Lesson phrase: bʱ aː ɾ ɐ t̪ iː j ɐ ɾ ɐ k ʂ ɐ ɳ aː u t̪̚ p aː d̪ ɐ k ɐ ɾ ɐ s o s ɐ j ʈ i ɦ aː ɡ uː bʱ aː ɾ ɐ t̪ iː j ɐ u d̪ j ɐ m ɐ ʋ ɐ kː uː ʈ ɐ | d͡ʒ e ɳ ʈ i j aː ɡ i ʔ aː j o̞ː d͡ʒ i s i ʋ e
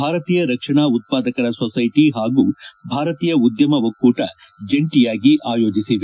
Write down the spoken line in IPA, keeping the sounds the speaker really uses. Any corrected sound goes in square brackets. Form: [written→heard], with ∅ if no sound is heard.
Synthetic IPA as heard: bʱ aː ɾ ɐ t̪ iː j ɐ ɾ ɐ k ʂ ɐ ɳ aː u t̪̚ p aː d̪ ɐ k ɐ ɾ ɐ s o s ɐ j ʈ i ɦ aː ɡ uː bʱ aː ɾ ɐ t̪ iː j ɐ u d̪ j ɐ m ɐ ʋ ɐ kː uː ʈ ɐ | d͡ʒ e ɳ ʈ i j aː ɡ i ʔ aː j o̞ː d͡ʒ i s i ʋ e